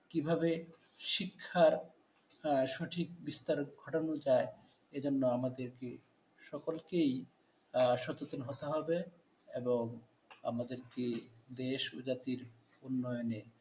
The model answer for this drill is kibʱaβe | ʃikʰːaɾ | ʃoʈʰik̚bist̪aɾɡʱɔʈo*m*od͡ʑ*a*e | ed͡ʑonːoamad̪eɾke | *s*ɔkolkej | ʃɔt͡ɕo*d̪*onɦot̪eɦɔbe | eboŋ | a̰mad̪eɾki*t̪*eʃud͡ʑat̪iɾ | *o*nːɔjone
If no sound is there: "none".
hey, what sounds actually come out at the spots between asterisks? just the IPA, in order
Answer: n, a, ʃ, t̪, d̪, u

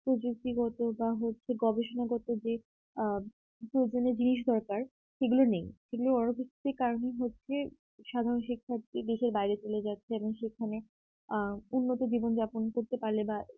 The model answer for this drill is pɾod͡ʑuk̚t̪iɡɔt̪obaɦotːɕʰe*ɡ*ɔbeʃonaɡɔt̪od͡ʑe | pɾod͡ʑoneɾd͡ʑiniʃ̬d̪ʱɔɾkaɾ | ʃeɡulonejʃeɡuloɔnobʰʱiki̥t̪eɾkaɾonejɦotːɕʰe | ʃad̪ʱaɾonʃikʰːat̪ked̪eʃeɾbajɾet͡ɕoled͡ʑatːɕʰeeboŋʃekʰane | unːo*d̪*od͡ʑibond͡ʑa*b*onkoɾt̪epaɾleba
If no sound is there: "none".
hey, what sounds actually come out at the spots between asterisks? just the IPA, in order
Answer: ɡ, t̪, p

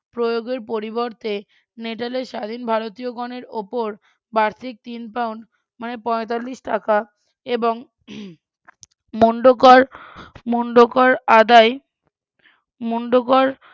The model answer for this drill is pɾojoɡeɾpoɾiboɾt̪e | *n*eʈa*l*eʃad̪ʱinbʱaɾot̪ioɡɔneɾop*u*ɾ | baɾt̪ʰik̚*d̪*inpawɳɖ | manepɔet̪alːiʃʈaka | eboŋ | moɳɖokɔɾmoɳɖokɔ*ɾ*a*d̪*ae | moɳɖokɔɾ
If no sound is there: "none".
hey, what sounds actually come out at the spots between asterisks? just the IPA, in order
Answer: n, l, o, t̪, ɾ, d̪

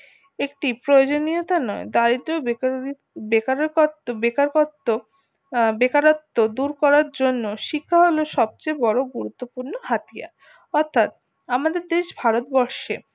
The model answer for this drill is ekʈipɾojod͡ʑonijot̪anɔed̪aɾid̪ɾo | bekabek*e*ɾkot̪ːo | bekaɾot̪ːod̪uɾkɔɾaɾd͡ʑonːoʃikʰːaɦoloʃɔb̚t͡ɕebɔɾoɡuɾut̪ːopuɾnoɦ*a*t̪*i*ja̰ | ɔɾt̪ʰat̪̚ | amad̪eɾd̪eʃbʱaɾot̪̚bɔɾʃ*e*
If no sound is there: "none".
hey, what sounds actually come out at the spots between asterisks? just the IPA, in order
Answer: a, a, i, e

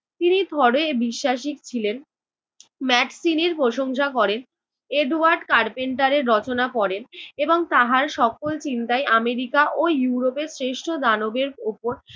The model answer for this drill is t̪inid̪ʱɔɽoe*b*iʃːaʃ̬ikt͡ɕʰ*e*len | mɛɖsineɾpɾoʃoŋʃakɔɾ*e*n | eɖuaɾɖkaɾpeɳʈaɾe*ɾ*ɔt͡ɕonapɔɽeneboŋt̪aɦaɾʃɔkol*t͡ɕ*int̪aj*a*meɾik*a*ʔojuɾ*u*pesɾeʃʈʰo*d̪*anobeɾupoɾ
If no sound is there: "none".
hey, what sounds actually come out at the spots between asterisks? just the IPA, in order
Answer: b, i, e, ɾː, t͡ɕ, a, a, o, d̪

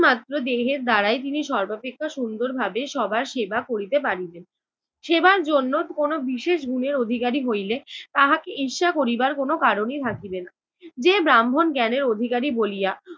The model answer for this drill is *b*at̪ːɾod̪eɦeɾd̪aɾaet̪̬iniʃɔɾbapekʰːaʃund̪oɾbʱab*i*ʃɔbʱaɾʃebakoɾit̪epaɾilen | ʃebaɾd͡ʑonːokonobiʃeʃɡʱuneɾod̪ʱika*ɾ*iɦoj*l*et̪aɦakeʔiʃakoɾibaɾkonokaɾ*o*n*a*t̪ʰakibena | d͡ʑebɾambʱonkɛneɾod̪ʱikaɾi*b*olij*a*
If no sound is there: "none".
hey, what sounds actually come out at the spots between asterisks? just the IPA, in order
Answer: m, e, ɾ, l, o, i, b, a

